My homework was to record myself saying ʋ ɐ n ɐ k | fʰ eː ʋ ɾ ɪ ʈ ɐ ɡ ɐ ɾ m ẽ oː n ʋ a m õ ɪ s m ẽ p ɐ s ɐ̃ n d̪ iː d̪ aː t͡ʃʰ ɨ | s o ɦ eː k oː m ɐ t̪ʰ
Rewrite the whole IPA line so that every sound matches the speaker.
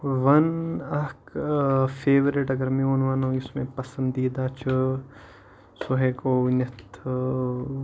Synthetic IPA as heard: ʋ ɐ n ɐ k | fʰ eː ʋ ɾ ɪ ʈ ɐ ɡ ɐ ɾ m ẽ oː n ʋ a n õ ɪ s m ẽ p ɐ s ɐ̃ n d̪ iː d̪ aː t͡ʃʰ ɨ | s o ɦ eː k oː n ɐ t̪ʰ